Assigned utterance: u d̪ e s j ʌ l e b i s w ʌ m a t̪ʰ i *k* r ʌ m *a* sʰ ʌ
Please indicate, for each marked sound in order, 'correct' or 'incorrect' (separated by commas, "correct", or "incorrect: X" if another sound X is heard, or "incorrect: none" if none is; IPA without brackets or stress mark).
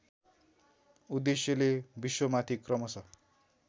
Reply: correct, incorrect: ʌ